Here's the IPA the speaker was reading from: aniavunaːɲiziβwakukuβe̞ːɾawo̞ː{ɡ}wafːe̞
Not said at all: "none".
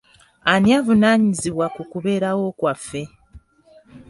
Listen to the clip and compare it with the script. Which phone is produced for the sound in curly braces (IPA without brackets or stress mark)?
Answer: k